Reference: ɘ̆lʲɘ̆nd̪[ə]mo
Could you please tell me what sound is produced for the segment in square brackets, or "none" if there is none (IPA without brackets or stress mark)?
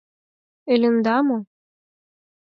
ɑ